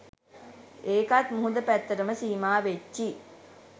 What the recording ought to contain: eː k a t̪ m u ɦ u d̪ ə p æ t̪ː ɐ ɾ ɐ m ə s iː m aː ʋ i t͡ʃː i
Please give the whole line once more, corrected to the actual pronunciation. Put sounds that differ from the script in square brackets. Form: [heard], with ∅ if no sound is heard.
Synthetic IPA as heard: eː k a t̪ m u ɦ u d̪ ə p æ t̪ː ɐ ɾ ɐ m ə s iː m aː ʋ [e] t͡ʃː i